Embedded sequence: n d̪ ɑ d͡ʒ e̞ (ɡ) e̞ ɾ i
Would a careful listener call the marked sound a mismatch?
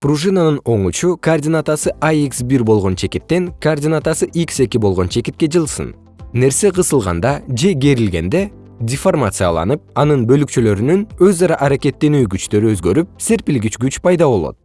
no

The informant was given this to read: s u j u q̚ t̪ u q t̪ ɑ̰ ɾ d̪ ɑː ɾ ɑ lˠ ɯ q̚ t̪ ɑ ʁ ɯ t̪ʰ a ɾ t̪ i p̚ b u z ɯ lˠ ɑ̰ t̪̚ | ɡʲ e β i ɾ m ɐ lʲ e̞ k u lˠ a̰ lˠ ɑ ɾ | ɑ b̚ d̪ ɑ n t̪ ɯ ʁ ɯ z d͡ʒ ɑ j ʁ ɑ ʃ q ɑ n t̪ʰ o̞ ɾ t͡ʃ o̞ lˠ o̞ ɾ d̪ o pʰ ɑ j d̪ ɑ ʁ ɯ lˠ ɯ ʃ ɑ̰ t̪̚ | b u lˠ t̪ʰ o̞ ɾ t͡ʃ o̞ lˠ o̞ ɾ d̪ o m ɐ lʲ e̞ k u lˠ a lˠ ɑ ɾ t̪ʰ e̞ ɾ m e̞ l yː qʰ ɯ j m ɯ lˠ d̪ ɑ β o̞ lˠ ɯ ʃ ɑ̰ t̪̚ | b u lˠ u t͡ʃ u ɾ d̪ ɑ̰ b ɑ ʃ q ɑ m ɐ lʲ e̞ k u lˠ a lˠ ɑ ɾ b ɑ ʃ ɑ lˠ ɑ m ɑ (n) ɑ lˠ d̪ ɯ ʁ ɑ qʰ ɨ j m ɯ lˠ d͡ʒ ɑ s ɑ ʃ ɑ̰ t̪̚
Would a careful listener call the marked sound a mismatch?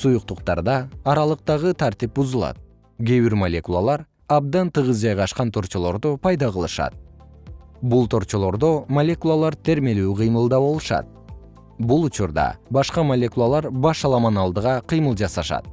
no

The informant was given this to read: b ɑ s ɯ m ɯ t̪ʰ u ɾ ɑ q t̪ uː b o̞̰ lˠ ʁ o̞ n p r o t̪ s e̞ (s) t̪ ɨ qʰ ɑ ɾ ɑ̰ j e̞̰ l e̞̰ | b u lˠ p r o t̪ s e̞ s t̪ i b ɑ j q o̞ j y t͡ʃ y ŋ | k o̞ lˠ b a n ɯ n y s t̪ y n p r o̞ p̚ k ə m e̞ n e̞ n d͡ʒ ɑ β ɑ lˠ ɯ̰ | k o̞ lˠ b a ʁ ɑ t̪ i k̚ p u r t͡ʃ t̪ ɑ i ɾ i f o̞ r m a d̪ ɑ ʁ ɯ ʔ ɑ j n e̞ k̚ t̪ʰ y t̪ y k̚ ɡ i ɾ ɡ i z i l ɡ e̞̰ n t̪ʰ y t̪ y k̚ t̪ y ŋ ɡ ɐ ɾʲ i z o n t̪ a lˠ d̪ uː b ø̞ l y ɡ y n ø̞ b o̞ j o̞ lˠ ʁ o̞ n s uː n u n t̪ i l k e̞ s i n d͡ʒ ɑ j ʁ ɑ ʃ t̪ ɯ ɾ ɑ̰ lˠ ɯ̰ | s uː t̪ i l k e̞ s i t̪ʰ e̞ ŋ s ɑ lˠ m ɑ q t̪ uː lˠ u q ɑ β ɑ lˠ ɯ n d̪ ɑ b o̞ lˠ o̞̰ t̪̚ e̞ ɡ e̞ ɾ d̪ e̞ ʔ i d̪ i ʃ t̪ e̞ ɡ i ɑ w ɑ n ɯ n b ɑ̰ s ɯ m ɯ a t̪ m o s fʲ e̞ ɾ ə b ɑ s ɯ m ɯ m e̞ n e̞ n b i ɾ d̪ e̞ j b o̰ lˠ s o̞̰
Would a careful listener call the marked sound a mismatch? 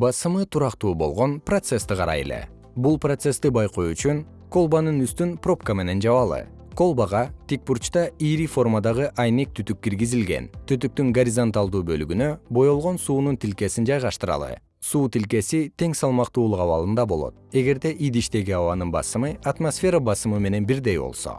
no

